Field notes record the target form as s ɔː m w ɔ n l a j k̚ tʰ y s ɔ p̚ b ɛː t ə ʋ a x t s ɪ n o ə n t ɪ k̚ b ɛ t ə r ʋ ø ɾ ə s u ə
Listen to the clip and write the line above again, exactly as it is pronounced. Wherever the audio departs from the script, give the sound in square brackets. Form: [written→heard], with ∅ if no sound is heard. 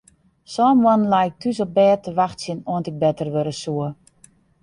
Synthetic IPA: s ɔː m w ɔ n l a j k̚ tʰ y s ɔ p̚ b ɛː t ə ʋ a x t s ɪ n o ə n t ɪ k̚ b ɛ t ə r ʋ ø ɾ ə s u ə